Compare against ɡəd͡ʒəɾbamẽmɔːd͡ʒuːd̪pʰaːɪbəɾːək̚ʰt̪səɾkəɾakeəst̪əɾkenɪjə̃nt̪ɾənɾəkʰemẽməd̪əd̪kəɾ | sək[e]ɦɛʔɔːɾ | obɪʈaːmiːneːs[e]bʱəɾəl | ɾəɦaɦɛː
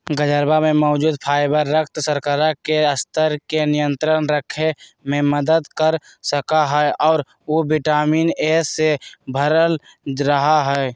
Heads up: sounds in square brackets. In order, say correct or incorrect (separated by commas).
incorrect, correct